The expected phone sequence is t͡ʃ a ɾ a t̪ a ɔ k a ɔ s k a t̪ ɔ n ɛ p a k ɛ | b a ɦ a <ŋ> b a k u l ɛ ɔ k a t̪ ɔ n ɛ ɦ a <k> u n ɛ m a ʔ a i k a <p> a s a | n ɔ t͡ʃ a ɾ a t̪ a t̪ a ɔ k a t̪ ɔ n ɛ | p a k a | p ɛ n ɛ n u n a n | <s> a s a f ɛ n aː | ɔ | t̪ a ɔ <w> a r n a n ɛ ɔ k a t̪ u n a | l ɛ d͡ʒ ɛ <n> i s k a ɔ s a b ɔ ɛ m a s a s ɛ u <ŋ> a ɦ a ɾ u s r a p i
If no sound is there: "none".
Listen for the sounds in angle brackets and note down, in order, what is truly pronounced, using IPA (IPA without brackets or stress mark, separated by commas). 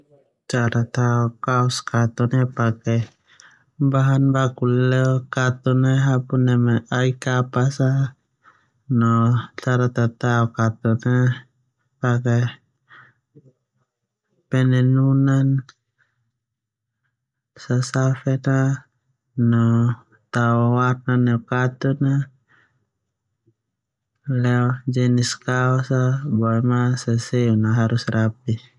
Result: n, p, p, s, w, n, n